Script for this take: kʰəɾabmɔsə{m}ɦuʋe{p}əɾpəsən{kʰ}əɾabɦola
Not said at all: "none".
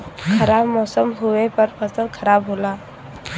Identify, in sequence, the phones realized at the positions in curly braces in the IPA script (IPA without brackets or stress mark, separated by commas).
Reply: m, p, kʰ